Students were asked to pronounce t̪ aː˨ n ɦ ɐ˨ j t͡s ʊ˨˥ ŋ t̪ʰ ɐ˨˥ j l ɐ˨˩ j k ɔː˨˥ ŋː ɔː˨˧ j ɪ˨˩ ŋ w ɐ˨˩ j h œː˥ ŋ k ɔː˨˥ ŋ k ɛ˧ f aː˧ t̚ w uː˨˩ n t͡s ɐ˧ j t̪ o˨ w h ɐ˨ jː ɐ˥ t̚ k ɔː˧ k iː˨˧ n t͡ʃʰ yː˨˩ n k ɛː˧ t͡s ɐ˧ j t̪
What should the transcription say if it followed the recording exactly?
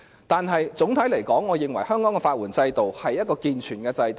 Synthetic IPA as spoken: t̪ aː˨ n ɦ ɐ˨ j t͡s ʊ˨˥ ŋ t̪ʰ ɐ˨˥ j l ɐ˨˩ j k ɔː˨˥ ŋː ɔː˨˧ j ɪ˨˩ ŋ w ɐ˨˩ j h œː˥ ŋ k ɔː˨˥ ŋ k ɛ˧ f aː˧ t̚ w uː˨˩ n t͡s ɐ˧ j t̪ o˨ w h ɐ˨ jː ɐ˥ t̚ k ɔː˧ k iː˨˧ n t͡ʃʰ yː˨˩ n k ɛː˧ t͡s ɐ˧ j t̪